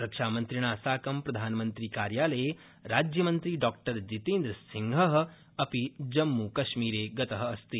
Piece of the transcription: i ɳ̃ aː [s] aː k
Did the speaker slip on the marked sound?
no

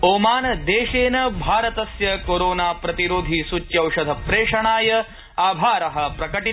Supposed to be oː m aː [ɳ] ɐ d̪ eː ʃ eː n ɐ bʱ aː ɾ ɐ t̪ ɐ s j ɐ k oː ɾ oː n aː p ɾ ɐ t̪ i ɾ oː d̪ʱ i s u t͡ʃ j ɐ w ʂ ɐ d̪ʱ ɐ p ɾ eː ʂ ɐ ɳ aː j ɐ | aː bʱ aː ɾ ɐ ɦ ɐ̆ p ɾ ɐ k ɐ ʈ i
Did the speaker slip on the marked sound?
yes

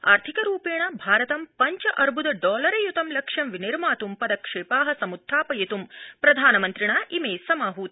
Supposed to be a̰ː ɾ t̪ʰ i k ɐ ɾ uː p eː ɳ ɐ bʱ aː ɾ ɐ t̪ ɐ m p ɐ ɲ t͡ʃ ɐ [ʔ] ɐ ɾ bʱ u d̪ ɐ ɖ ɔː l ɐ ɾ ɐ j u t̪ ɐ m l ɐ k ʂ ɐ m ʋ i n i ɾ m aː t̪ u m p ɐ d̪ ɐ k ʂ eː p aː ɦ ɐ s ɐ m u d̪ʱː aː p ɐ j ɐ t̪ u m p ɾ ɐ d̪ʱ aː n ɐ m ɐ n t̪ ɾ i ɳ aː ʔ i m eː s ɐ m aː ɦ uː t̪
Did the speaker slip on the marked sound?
no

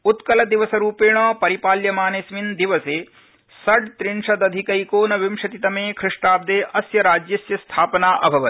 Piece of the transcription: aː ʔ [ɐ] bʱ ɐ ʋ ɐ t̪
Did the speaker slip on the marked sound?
no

